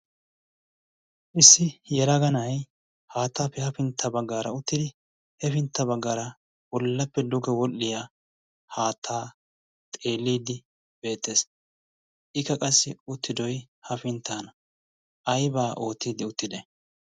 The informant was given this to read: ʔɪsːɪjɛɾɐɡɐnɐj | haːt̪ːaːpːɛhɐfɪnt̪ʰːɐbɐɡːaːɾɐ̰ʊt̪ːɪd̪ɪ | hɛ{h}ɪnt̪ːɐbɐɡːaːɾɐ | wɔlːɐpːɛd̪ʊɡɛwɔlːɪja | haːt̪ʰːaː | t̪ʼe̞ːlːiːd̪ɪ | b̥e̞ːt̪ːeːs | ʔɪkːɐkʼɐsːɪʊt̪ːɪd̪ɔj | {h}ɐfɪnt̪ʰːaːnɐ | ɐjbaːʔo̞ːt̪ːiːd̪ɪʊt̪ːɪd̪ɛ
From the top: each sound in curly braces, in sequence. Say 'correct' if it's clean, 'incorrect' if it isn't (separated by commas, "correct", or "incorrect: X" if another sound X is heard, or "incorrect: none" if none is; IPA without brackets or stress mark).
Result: incorrect: f, correct